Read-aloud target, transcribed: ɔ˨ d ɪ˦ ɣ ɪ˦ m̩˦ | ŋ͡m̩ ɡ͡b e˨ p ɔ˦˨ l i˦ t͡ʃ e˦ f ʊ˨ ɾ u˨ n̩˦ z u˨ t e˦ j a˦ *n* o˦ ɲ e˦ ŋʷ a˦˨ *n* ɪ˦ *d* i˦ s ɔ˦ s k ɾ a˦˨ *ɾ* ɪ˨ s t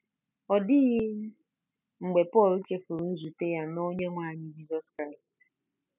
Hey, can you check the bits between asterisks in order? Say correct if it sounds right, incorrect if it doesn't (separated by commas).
correct, incorrect, incorrect, incorrect